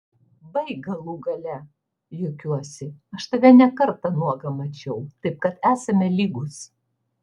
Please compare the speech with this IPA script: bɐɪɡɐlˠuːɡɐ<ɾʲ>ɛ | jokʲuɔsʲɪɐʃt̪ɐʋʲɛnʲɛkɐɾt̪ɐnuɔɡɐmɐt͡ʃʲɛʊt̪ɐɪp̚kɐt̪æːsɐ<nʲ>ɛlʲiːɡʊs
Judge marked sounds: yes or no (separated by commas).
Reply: no, no